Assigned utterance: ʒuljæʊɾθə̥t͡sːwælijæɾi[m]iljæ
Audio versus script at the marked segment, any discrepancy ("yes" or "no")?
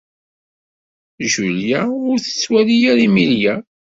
no